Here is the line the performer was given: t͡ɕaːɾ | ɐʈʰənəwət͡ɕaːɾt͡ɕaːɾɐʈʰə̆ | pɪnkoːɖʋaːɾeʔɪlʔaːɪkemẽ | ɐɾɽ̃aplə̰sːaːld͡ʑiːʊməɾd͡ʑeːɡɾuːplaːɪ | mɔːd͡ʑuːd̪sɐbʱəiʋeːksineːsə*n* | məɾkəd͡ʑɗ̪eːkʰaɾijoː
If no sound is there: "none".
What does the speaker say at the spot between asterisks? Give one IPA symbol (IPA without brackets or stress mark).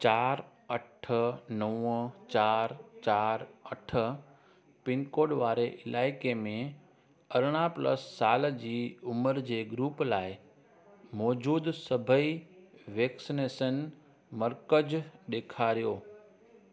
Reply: n